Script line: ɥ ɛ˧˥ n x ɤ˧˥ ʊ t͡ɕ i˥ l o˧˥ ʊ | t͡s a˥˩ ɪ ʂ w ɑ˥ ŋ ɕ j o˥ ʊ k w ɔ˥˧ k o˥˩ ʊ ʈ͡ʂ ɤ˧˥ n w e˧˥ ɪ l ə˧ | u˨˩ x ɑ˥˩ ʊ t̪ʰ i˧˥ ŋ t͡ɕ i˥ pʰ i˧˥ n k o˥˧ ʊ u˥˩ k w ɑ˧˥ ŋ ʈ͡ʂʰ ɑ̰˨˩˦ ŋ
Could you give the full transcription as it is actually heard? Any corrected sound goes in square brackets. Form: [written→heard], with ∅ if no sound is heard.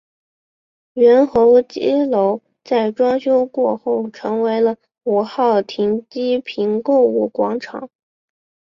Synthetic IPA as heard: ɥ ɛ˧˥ n x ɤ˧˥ ʊ t͡ɕ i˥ l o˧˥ ʊ | t͡s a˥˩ ɪ [ʂ→ʈ͡ʂ] w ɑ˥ ŋ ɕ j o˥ ʊ k w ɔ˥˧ [k→x] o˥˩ ʊ [ʈ͡ʂ→ʈ͡ʂʰ] ɤ˧˥ [n→ŋ] w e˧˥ ɪ l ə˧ | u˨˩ x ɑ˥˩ ʊ t̪ʰ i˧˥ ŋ t͡ɕ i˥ pʰ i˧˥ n k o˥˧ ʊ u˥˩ k w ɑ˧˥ ŋ ʈ͡ʂʰ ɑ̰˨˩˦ ŋ